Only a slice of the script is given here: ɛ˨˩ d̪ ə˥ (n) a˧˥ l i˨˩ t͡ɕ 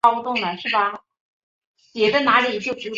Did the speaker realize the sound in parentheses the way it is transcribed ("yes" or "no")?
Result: yes